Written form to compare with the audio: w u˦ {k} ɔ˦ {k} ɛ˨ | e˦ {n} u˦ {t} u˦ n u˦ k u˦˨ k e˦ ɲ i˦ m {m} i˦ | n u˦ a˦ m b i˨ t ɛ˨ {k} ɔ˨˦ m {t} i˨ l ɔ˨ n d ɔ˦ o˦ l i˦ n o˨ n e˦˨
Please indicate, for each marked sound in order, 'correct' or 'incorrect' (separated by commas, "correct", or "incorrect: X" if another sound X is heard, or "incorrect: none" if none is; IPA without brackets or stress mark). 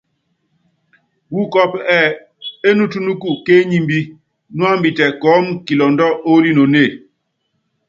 correct, incorrect: p, correct, correct, incorrect: b, correct, incorrect: k